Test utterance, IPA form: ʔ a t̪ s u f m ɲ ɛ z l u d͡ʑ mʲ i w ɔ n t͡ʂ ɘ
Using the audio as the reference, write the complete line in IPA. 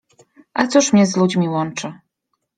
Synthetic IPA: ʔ a t̪ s u ʂ m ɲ ɛ z l u d͡ʑ mʲ i w ɔ n t͡ʂ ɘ